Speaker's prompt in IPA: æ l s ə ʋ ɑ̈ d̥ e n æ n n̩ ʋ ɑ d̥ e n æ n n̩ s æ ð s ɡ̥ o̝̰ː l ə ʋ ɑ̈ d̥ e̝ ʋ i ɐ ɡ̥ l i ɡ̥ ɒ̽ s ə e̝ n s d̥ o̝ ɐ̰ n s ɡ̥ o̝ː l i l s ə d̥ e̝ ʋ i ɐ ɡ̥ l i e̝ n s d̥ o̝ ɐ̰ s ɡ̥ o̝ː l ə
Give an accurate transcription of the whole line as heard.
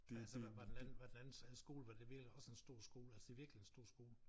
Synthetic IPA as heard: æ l s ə ʋ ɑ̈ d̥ e n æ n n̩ ʋ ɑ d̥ e n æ n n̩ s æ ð s ɡ̥ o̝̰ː l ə ʋ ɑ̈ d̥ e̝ ʋ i ɐ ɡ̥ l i ɒ̽ s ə e̝ n s d̥ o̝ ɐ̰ s ɡ̥ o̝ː l æ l s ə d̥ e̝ ʋ i ɐ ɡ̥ l i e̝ n s d̥ o̝ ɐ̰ s ɡ̥ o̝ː l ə